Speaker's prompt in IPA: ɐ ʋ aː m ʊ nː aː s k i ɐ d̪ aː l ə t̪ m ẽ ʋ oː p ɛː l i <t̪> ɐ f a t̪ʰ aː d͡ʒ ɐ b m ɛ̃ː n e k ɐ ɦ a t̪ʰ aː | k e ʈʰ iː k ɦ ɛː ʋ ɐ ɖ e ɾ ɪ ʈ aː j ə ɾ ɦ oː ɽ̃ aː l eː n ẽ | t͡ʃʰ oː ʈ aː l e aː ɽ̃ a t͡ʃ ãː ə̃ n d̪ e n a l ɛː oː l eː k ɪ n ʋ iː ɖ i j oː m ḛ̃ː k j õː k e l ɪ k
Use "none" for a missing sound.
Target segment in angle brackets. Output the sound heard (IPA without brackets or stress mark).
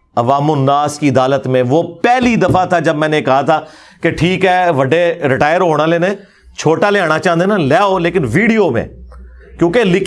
d̪